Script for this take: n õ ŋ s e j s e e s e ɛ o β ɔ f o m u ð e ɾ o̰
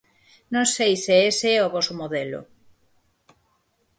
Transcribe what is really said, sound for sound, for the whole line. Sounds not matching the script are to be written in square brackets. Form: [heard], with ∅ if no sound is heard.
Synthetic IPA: n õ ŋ s e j s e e s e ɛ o β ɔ [s] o m [o] ð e [l] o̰